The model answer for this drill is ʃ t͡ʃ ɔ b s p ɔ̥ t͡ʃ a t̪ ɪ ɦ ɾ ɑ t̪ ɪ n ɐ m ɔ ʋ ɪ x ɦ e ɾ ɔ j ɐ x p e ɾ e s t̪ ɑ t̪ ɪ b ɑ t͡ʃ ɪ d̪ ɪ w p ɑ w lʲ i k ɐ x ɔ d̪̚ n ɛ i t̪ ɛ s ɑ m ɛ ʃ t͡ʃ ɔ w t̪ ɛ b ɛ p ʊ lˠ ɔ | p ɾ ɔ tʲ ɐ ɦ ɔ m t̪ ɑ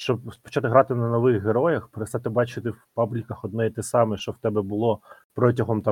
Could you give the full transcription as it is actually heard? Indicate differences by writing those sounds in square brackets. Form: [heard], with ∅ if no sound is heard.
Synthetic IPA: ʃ t͡ʃ ɔ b s p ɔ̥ t͡ʃ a t̪ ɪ ɦ ɾ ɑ t̪ ɪ n ɐ [n] ɔ ʋ ɪ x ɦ e ɾ ɔ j ɐ x p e ɾ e s t̪ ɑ t̪ ɪ b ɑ t͡ʃ ɪ [t̪] ɪ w p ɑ [b] lʲ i k ɐ x ɔ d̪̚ n ɛ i t̪ ɛ s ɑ m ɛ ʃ t͡ʃ ɔ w t̪ ɛ b ɛ [b] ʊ lˠ ɔ | p ɾ ɔ tʲ ɐ ɦ ɔ m t̪ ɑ